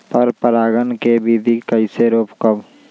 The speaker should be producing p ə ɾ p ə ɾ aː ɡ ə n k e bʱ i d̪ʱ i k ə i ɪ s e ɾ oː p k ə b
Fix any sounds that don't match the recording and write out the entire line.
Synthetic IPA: p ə ɾ p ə ɾ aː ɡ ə n k e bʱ i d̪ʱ i k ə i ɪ s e ɾ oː p k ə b

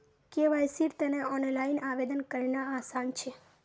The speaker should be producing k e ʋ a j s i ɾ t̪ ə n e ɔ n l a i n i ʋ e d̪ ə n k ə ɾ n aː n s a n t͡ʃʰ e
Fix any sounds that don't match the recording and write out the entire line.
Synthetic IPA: k e ʋ a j s i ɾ t̪ ə n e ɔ n l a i n a ʋ e d̪ ə n k ə ɾ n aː s a n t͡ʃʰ e

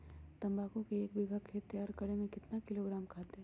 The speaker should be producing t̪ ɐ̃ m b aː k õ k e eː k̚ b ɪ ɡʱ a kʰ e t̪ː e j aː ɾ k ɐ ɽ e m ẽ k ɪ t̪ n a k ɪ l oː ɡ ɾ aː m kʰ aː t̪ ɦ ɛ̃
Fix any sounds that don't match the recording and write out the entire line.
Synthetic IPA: t̪ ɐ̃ m b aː k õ k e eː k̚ b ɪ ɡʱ a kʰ e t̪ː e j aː ɾ k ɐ ɽ e m ẽ k ɪ t̪ n a k ɪ l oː ɡ ɾ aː m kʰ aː t̪ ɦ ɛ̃

